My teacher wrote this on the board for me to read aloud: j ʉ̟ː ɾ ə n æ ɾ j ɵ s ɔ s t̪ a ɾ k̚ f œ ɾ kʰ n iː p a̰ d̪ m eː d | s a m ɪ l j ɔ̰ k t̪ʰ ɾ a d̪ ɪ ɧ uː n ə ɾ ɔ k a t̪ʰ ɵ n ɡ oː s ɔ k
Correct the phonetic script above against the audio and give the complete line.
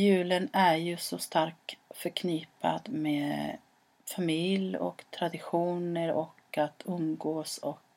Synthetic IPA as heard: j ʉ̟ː l ə n æ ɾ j ɵ s ɔ s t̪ a ɾ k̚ f œ ɾ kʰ n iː p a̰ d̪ m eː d | f a m ɪ l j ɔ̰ k t̪ʰ ɾ a d̪ ɪ ɧ uː n ə ɾ ɔ k a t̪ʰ ɵ m ɡ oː s ɔ k